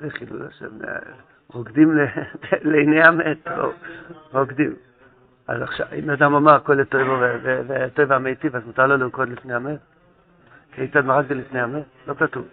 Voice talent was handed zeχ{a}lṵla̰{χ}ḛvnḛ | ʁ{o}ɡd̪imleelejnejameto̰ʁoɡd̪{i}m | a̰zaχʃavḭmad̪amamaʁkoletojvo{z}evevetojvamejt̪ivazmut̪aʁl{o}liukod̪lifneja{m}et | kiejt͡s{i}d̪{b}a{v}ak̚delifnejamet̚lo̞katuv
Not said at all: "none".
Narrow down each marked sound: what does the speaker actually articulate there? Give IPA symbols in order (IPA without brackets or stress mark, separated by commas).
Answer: i, ʃ, o, i, v, o, m, a, m, ʁ